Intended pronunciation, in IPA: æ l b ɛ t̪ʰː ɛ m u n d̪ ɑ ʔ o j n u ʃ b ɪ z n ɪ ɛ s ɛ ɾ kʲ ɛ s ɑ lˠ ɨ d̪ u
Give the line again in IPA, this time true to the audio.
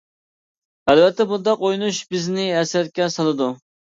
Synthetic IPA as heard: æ l v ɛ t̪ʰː ɛ b u n d̪ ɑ q o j n u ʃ b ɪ z n ɪ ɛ s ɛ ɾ kʲ ɛ s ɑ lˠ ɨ d̪ u